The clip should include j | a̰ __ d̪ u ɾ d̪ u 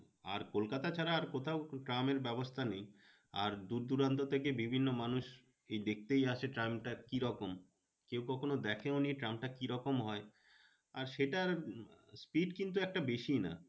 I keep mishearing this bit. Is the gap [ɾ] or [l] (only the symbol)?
ɾ